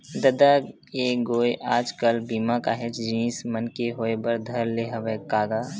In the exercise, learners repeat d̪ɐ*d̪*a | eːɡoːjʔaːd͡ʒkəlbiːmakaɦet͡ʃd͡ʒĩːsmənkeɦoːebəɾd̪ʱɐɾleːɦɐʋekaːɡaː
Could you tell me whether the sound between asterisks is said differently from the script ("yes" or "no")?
no